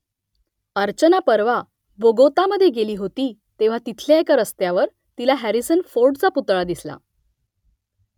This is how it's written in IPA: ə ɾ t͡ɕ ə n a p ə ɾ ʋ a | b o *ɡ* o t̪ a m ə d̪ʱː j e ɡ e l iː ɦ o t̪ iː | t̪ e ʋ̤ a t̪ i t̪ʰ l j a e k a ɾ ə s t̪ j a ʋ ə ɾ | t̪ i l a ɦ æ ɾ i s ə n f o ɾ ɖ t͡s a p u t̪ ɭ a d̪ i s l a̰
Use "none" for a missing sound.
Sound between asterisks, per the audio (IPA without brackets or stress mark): ɡ